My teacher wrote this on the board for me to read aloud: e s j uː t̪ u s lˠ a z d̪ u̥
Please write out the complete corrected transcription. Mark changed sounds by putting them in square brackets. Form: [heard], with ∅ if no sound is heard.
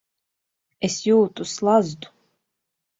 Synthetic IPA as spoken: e s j uː t̪ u s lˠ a z d̪ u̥